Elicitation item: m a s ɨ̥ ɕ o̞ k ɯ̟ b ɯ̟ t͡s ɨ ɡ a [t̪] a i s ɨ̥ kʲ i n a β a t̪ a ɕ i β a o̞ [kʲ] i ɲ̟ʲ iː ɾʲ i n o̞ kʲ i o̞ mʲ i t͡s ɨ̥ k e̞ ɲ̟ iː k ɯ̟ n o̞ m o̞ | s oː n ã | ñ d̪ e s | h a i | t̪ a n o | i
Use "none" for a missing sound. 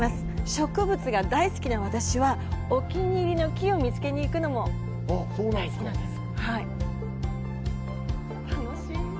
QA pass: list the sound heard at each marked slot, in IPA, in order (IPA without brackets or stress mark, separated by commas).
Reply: d̪, kʲ